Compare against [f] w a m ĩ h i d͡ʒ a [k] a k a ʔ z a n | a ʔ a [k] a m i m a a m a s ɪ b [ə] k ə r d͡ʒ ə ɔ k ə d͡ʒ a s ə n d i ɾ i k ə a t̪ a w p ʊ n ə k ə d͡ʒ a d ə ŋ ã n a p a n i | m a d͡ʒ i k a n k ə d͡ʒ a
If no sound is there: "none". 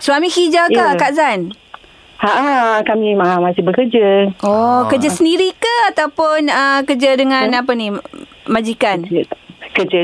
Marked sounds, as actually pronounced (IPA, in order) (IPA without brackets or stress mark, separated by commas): s, k, k, ə